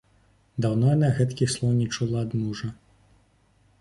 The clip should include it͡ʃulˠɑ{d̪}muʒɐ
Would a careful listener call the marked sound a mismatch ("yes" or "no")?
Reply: no